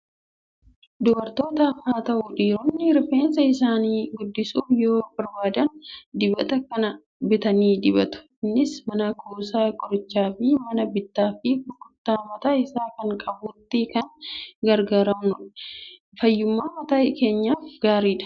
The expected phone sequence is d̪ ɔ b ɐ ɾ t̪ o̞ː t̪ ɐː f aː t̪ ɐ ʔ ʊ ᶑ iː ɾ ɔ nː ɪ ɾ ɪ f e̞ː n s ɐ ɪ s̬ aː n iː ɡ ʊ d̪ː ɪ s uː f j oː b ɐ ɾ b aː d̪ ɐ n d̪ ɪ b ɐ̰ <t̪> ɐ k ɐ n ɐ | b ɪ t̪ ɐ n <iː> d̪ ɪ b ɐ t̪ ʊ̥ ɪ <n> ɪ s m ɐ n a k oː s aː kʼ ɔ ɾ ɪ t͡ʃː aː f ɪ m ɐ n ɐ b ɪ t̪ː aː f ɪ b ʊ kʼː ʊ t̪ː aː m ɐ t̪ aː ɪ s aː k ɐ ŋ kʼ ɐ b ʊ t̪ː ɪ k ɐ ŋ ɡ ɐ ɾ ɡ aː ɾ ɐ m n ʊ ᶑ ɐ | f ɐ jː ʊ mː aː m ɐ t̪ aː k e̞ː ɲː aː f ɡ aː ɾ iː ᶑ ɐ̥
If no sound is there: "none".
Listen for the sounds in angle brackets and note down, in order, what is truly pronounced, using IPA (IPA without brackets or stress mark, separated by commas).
t̪, iː, nː